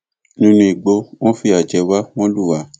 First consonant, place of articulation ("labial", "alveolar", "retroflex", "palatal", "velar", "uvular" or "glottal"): alveolar